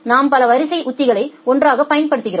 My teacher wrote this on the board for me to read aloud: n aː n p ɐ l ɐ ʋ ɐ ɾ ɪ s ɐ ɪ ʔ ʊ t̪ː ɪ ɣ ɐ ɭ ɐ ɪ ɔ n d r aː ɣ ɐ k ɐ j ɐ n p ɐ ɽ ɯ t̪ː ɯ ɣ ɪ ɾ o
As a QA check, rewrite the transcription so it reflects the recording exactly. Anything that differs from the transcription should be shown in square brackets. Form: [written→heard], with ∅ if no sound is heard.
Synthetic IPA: n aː [n→m] p ɐ l ɐ ʋ ɐ ɾ ɪ s ɐ ɪ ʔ ʊ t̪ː ɪ ɣ ɐ ɭ ɐ ɪ ɔ n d r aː ɣ ɐ [k→p] ɐ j ɐ n p ɐ ɽ ɯ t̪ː ɯ ɣ ɪ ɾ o